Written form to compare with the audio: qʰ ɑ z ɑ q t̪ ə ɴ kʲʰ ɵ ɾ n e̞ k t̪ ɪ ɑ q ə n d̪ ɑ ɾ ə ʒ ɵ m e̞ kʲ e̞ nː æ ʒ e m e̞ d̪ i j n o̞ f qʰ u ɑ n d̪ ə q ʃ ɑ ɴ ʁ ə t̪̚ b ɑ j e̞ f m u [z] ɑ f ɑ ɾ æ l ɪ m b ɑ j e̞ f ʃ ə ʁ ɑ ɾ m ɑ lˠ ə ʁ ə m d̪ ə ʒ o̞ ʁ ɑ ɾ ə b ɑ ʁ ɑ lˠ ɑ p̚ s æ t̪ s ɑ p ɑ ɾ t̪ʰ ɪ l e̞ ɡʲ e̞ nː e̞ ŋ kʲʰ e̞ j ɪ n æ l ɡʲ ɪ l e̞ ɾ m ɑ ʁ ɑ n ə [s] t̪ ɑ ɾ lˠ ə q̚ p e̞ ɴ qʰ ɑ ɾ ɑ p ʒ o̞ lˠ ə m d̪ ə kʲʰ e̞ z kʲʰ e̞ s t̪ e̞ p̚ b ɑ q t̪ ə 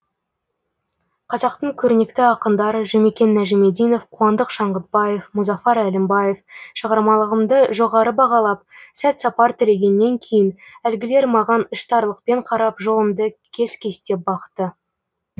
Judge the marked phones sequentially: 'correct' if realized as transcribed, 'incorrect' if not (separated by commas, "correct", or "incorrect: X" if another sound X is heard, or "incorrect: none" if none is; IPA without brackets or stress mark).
correct, incorrect: ʃ